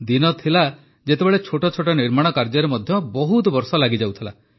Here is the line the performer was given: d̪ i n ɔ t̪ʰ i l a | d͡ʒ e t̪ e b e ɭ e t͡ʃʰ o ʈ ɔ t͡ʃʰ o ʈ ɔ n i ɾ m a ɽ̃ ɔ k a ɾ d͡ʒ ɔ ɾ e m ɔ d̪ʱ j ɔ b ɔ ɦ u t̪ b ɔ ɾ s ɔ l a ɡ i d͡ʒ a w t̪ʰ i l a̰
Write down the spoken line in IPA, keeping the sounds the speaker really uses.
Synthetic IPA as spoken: d̪ i n ɔ t̪ʰ i l a | d͡ʒ e t̪ e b e ɭ e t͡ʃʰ o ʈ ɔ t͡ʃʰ o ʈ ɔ n i ɾ m a ɽ̃ ɔ k a ɾ d͡ʒ ɔ ɾ e m ɔ d̪ʱ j ɔ b ɔ ɦ u t̪ b ɔ ɾ s ɔ l a ɡ i d͡ʒ a w t̪ʰ i l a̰